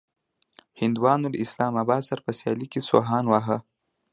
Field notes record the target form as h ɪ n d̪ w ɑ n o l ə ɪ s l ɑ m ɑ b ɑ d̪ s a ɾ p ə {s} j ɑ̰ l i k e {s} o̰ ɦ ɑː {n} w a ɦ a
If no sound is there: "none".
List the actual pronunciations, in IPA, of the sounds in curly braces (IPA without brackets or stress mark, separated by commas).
s, s, n